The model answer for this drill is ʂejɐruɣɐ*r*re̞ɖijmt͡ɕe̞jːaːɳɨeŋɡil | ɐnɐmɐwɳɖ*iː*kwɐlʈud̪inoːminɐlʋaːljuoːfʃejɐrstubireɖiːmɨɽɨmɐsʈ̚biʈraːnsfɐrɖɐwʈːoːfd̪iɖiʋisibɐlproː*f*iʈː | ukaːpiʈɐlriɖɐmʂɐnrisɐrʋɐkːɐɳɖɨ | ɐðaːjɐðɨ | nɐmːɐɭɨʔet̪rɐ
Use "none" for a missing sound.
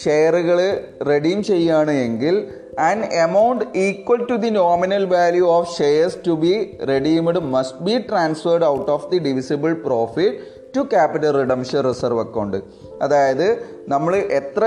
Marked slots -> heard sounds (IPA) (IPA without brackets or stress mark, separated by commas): ɭ, iː, f